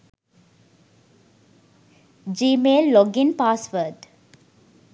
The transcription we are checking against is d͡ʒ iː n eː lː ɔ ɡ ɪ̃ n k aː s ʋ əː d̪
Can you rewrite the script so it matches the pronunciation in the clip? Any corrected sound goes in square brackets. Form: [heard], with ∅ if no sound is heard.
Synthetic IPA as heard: d͡ʒ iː [m] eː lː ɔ ɡ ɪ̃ n [p] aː s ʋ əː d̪